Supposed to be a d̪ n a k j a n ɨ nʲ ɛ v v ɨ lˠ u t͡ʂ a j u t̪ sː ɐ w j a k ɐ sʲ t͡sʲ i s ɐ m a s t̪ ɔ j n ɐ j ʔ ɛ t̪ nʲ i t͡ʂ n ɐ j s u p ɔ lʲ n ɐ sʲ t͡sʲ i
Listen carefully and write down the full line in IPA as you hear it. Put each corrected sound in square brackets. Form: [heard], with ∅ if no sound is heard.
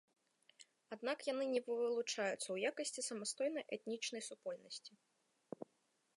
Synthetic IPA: a d̪ n a k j a n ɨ nʲ ɛ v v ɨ lˠ u t͡ʂ a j u t̪ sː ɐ w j a k ɐ sʲ t͡sʲ i s ɐ m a s t̪ ɔ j n ɐ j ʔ ɛ t̪ nʲ i t͡ʂ n ɐ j s u p ɔ lʲ n ɐ sʲ t͡sʲ i